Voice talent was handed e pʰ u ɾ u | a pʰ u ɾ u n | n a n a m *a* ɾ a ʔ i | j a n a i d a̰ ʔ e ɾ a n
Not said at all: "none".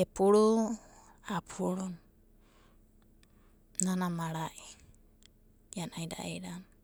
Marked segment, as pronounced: a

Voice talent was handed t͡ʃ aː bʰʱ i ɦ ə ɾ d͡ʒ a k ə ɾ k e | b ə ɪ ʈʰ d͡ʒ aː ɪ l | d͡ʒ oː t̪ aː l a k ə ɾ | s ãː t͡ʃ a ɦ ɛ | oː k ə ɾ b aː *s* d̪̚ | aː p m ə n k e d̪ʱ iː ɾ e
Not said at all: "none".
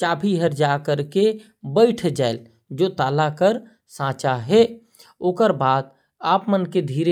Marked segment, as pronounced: none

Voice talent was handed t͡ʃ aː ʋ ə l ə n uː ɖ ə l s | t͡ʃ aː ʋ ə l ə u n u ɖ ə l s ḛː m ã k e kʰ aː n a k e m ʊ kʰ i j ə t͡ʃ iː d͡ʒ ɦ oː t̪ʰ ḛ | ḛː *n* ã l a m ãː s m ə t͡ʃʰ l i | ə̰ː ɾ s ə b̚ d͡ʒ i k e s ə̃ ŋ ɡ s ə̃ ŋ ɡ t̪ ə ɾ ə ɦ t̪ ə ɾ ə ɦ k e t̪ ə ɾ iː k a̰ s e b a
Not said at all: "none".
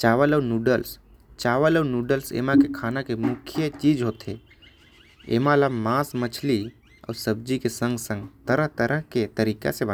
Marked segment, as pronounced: m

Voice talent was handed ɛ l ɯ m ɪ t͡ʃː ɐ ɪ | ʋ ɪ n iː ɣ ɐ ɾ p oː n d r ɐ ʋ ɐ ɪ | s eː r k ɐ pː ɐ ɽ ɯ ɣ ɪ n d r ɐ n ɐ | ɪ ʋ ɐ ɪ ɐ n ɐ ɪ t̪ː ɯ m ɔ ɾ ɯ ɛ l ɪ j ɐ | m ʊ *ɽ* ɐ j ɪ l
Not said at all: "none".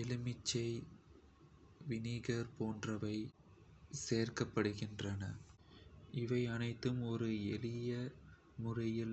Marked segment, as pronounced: r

